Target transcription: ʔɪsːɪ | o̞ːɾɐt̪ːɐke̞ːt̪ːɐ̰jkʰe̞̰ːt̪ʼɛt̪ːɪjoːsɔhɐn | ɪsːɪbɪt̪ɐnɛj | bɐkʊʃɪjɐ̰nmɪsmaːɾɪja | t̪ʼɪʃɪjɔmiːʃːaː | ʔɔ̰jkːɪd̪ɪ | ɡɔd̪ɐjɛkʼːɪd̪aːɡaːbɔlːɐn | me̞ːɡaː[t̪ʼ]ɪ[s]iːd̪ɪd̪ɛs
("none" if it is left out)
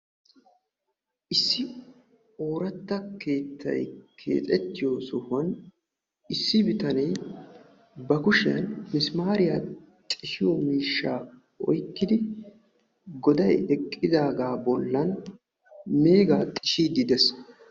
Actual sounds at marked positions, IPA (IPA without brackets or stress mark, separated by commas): t̪ʼ, ʃ